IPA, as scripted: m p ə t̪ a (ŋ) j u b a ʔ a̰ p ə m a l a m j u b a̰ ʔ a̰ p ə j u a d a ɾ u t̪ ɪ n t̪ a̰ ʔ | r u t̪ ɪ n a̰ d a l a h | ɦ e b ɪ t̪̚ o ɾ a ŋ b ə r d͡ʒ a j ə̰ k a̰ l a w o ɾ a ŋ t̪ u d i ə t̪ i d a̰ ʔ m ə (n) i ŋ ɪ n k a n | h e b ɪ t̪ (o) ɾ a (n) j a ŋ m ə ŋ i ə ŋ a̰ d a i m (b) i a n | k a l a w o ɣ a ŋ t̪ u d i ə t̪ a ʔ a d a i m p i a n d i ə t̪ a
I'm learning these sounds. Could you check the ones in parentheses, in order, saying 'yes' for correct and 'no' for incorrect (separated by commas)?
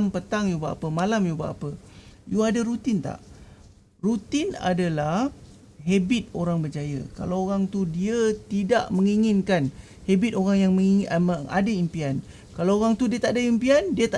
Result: yes, no, yes, no, no